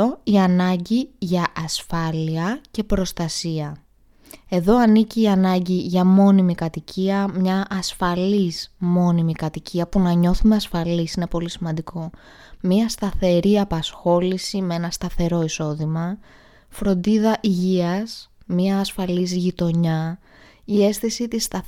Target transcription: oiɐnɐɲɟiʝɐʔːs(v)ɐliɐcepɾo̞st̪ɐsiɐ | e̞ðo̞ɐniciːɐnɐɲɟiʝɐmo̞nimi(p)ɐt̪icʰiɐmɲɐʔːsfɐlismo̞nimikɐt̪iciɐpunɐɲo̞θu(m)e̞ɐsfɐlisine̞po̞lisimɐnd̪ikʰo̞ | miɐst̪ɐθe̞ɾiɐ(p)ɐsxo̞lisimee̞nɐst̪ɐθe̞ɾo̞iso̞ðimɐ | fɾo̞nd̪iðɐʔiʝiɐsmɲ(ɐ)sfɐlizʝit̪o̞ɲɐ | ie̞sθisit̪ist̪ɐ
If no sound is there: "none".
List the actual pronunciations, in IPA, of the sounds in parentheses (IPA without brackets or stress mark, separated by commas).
f, k, m, p, ɐː